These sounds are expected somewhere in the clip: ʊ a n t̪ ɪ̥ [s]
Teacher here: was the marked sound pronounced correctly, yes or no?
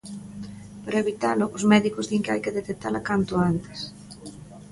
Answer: yes